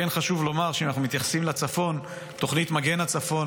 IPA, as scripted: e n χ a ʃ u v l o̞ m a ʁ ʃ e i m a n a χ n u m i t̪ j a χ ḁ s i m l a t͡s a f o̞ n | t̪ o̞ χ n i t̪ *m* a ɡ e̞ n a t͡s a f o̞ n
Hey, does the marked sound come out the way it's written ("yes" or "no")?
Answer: yes